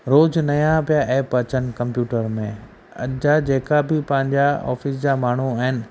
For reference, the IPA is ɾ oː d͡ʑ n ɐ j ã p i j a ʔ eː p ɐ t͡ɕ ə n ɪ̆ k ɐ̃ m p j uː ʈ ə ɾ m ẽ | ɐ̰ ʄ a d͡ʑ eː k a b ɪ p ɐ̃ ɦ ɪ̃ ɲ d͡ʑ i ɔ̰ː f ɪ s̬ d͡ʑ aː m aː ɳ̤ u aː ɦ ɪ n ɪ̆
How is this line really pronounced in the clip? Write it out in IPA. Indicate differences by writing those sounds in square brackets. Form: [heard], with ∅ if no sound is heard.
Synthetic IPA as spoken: ɾ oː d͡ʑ n ɐ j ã p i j a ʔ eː p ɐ t͡ɕ ə n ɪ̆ k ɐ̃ m p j uː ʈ ə ɾ m ẽ | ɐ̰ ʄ a d͡ʑ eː k a b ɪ p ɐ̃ ɦ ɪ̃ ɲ d͡ʑ [a] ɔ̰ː f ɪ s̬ d͡ʑ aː m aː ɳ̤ u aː ɦ ɪ n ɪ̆